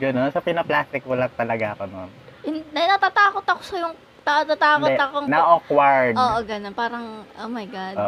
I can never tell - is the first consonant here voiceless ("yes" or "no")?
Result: no